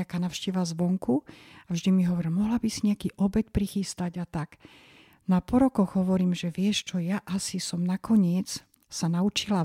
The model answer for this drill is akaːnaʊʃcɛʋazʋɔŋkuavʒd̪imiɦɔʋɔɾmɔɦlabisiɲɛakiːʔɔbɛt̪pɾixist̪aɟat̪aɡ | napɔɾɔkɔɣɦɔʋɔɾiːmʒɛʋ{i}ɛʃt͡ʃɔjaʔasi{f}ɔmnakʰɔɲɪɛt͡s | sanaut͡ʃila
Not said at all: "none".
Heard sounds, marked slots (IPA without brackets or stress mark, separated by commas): ɪ, s